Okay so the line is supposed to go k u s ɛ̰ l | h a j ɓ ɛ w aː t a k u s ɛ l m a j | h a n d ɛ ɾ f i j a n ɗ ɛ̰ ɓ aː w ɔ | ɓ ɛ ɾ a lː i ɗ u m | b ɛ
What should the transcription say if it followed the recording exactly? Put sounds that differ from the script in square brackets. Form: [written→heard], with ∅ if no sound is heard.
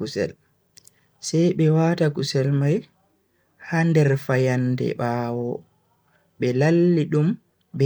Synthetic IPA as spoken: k u s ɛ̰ l | [h→s] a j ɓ ɛ w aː t a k u s ɛ l m a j | h a n d ɛ ɾ f [i→a] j a n [ɗ→d] ɛ̰ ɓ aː w ɔ | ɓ ɛ [ɾ→l] a lː i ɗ u m | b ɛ

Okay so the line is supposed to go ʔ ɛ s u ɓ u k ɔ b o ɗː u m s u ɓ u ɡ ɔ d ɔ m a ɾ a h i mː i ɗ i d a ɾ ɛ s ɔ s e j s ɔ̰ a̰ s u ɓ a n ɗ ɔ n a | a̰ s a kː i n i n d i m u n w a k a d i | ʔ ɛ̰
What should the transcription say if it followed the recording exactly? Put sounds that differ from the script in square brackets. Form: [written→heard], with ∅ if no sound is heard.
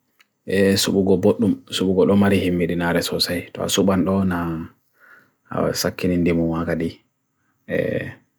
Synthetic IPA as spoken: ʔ ɛ s u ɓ u [k→ɡ] ɔ b o ɗː u m s u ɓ u ɡ ɔ [d→ɗ] ɔ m a ɾ [a→i] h i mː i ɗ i [d→n] a ɾ ɛ s ɔ s [e→a] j [s→t] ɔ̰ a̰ s u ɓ a n ɗ ɔ n a | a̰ s a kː i n i n d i m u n w a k a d i | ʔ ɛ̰

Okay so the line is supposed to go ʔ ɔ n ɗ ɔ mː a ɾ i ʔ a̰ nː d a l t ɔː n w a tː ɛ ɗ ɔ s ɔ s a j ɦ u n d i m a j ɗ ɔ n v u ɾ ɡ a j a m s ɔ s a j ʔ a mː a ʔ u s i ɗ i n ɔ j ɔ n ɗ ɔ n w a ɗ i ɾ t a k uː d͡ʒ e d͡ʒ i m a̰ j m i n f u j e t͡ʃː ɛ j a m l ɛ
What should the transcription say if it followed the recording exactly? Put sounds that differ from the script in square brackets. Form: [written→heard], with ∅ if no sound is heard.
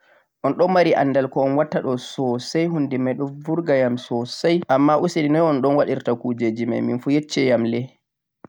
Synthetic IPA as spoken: ʔ ɔ n ɗ ɔ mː a ɾ i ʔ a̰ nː d a l [t→k] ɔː n w a tː [ɛ→a] ɗ ɔ s ɔ s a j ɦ u n d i m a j ɗ ɔ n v u ɾ ɡ a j a m s ɔ s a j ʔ a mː a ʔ u s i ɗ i n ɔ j ɔ n ɗ ɔ n w a ɗ i ɾ t a k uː d͡ʒ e d͡ʒ i m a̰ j m i n f u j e t͡ʃː ɛ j a m l ɛ

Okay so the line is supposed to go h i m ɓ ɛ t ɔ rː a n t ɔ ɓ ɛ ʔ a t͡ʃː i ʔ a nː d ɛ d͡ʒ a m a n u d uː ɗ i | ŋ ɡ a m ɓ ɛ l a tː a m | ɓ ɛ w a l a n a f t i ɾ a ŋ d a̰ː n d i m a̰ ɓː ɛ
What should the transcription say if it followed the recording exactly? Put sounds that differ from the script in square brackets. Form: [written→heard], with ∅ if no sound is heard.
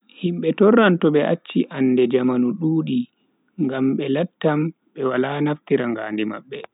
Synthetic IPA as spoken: h i m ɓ ɛ t ɔ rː a n t ɔ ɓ ɛ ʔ a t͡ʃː i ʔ a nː d ɛ d͡ʒ a m a n u [d→ɗ] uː ɗ i | ŋ ɡ a m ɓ ɛ l a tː a m | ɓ ɛ w a l a n a f t i ɾ a ŋ [d→ɡ] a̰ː n d i m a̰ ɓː ɛ

